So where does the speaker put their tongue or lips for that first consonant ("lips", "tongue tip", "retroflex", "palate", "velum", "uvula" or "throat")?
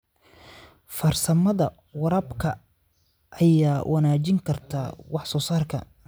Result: lips